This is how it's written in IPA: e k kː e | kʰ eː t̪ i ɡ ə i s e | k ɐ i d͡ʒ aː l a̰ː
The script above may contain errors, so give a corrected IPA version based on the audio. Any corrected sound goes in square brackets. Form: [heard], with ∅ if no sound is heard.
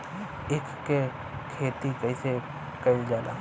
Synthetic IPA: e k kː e | kʰ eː t̪ i [k] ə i s e | k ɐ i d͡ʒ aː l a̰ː